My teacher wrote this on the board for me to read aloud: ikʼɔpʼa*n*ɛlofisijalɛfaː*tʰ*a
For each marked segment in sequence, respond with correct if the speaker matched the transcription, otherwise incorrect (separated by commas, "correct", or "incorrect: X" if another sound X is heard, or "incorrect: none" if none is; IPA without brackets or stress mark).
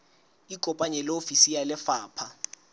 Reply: incorrect: ɲ, incorrect: pʰ